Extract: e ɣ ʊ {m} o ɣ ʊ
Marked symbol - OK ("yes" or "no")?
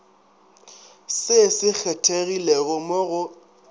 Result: yes